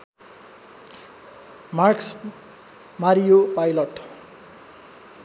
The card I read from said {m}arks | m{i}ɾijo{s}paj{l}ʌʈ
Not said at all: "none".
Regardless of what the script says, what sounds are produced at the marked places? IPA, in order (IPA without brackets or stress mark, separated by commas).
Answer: m, a, none, l